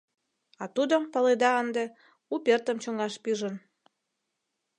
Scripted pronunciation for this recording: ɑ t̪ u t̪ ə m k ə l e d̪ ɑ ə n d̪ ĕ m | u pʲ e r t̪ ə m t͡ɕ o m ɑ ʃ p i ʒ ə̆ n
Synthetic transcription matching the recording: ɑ t̪ u d̪ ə m p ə l e d̪ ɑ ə n d̪ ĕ | u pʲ e r t̪ ə m t͡ɕ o ŋ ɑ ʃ p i ʒ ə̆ n